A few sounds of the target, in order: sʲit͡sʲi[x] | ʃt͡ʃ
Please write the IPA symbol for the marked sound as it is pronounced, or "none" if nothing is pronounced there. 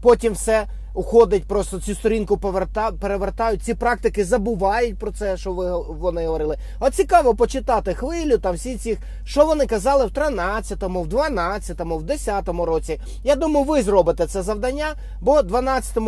x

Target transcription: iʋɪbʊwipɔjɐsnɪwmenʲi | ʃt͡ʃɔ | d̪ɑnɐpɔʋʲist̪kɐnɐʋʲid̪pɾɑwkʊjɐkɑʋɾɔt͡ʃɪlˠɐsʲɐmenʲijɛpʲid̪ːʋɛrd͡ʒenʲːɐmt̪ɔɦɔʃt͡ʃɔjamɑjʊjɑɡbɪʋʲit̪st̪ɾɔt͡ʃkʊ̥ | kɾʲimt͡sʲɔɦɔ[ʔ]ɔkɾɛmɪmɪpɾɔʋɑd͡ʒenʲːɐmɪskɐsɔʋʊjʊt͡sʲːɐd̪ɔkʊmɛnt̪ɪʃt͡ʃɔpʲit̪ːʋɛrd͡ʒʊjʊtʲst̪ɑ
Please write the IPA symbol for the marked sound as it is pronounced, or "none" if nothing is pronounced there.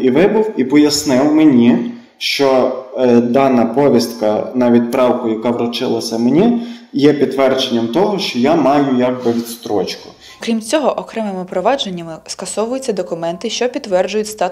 ʔ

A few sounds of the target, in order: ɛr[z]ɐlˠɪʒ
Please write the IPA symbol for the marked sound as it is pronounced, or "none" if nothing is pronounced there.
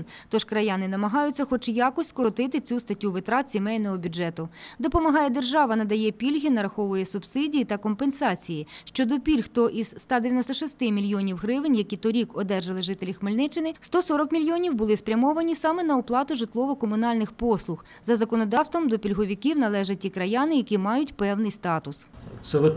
ʒ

